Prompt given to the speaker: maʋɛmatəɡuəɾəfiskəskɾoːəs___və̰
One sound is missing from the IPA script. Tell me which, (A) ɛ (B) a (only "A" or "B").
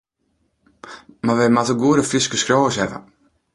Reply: A